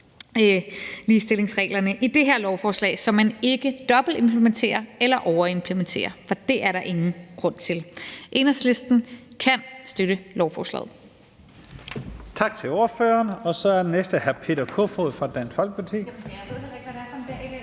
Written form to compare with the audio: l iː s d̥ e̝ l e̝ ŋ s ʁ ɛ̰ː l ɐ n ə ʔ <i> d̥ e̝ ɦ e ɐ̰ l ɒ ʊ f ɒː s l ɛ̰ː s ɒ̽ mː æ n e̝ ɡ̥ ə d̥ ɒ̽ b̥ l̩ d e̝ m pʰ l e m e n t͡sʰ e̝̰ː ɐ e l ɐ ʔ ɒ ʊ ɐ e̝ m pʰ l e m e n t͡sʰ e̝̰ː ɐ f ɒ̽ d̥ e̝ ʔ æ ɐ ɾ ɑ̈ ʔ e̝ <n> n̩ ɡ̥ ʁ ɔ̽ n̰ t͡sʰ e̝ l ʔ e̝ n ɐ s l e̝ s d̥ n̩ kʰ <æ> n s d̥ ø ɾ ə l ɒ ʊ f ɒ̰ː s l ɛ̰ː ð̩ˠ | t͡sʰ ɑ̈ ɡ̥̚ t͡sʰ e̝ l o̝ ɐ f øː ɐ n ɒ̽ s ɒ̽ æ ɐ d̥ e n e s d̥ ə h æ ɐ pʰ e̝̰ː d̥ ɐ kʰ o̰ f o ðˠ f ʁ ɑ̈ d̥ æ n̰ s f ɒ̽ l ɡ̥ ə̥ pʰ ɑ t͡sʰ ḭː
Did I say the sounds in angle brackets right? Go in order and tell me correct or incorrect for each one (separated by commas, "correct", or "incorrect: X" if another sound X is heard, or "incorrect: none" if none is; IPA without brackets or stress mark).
correct, incorrect: ŋ, correct